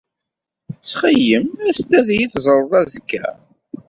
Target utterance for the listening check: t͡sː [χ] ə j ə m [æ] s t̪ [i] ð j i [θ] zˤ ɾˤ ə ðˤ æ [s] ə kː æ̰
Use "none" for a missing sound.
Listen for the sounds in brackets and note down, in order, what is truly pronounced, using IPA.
χ, æ, æ, θ, z

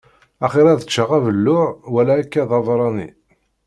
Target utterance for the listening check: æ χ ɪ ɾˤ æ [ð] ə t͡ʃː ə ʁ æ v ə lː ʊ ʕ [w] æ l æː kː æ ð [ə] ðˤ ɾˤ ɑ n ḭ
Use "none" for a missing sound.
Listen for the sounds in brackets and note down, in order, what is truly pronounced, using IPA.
ð, w, ɑ

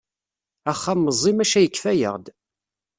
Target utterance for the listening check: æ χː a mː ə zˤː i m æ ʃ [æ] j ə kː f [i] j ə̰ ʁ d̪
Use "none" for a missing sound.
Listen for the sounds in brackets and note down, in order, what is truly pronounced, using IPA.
æ, æ

